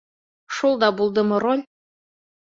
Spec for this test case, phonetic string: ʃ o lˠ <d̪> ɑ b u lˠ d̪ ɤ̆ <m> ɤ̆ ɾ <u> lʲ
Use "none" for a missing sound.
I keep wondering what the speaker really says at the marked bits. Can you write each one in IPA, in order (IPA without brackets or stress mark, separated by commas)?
d̪, m, o